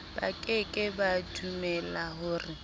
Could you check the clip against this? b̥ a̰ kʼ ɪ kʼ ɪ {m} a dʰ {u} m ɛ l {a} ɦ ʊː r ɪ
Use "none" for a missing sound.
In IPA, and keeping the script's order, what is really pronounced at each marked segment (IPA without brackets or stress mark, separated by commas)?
b, u, a